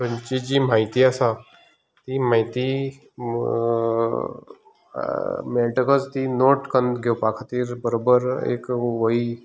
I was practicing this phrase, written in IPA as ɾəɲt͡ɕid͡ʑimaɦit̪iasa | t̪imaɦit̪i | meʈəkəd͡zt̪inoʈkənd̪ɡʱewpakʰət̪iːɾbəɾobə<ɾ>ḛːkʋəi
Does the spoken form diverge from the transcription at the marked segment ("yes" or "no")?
no